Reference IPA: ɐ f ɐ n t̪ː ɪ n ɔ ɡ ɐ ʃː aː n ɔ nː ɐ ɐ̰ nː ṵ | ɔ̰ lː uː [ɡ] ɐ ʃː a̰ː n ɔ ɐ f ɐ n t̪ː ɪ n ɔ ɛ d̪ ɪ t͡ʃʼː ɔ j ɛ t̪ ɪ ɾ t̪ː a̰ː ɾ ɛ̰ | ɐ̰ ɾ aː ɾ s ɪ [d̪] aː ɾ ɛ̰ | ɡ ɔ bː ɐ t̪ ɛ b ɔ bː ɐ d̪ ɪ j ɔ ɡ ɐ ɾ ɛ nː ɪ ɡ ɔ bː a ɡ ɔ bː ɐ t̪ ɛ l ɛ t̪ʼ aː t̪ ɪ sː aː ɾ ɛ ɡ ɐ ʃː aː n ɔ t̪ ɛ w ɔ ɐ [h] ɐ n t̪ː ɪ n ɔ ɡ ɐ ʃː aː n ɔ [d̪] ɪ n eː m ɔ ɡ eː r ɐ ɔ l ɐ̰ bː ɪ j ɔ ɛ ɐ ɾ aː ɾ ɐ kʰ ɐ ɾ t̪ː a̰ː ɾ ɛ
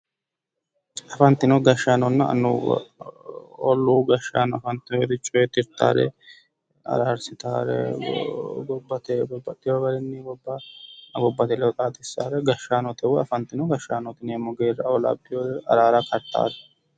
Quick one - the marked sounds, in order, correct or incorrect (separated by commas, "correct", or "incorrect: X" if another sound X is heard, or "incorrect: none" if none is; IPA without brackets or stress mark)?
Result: correct, incorrect: t̪, incorrect: f, incorrect: t̪